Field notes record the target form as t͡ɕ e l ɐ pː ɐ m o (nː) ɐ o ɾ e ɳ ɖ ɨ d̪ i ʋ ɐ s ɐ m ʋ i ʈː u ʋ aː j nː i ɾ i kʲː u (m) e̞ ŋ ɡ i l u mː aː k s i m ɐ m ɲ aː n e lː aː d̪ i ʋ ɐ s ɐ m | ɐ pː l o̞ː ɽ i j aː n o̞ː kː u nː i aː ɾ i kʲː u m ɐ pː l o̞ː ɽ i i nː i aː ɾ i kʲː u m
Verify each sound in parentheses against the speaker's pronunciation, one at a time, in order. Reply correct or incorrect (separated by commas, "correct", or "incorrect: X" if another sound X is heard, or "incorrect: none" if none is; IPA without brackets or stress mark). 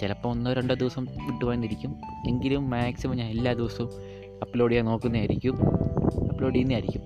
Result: correct, correct